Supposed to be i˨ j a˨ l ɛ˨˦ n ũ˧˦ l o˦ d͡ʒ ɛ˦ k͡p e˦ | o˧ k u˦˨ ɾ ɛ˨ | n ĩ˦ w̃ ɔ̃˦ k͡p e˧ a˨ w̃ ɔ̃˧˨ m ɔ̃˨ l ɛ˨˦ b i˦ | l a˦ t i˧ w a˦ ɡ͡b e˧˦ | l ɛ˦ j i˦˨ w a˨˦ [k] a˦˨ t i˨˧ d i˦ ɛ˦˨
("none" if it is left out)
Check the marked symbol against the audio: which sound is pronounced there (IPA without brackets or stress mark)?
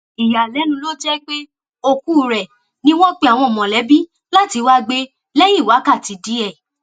k